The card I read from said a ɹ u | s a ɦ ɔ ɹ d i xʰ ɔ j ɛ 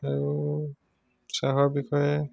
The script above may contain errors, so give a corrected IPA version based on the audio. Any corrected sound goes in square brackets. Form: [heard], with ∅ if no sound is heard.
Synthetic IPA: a ɹ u | s a ɦ ɔ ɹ [b] i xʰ ɔ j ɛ